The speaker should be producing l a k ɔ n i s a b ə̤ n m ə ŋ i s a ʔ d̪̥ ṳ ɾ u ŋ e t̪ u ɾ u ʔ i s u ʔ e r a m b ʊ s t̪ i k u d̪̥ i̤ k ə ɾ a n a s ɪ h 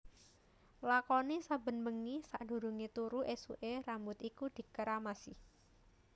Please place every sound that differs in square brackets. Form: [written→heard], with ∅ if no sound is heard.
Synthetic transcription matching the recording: l a k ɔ n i s a b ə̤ n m ə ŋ i s a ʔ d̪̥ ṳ ɾ u ŋ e t̪ u ɾ u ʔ [i→e] s u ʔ e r a m b ʊ [s→∅] t̪ i k u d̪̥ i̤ k ə ɾ a [n→m] a s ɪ h